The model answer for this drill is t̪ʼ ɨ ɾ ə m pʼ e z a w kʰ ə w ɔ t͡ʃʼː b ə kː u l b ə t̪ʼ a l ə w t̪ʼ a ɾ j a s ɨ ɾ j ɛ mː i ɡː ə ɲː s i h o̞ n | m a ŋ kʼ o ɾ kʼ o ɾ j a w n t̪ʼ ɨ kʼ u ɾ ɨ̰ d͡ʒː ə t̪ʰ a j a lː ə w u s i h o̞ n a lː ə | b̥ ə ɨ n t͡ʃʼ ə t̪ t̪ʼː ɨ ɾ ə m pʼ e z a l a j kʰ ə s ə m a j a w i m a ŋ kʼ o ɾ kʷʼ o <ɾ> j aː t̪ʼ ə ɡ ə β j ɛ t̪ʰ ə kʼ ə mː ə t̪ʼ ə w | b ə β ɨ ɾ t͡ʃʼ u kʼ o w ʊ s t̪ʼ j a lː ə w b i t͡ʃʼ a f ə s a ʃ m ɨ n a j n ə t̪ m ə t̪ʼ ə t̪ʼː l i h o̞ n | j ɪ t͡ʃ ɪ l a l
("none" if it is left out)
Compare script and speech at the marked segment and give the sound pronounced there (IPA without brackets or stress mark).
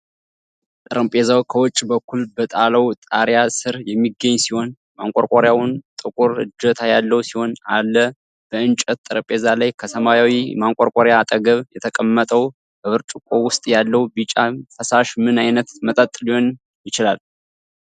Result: ɾ